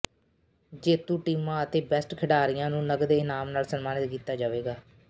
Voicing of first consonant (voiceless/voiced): voiced